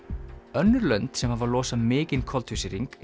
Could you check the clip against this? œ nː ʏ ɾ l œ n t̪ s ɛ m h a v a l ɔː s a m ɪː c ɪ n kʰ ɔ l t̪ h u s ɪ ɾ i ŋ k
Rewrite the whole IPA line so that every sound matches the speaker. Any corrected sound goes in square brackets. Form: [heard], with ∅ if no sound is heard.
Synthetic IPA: œ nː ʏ ɾ l œ n t̪ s ɛ m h a v a l ɔː s a m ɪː c ɪ n kʰ ɔ l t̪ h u s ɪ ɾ i ŋ k